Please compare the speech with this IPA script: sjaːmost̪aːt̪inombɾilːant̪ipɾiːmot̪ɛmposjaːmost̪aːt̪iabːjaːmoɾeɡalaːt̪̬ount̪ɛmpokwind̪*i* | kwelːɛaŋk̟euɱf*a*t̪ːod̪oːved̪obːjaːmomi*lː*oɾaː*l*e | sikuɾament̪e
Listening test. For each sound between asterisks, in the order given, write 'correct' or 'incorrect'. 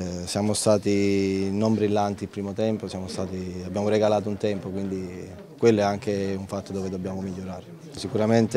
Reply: correct, correct, incorrect: ʎː, incorrect: ɾ

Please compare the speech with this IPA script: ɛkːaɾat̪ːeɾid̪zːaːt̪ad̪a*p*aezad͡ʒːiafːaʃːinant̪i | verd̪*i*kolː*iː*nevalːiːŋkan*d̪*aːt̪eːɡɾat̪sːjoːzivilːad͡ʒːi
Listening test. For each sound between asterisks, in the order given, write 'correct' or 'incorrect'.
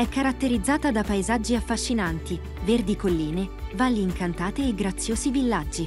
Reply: correct, correct, correct, incorrect: t̪

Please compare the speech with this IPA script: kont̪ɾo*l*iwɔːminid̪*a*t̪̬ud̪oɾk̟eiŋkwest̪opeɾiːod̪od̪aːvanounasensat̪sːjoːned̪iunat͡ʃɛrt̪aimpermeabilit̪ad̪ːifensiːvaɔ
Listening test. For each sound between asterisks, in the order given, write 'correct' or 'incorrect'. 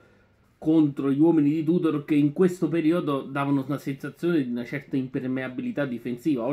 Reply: incorrect: ʎ, incorrect: i

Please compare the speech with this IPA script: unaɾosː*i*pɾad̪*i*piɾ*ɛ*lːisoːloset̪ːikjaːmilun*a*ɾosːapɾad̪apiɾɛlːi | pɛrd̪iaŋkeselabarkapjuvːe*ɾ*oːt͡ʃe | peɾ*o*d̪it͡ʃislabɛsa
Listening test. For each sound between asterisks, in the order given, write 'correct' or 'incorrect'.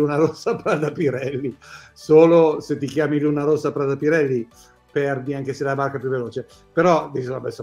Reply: incorrect: a, incorrect: a, correct, correct, incorrect: l, incorrect: ɔ

